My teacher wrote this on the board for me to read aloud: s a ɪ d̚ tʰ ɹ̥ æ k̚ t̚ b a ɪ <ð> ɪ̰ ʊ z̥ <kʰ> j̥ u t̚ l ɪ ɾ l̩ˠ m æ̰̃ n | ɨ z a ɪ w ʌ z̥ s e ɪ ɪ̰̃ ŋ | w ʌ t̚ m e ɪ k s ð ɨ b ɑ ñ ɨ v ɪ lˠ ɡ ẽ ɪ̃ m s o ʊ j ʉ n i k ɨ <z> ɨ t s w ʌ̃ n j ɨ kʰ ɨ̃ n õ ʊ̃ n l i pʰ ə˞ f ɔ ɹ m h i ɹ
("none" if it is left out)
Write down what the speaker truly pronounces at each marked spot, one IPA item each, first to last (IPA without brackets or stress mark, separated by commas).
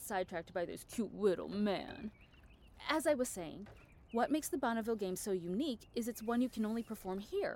ð, kʰ, z